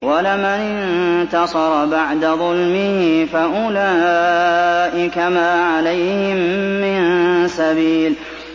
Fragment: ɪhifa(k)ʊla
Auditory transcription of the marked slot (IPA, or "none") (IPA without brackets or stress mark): ʔ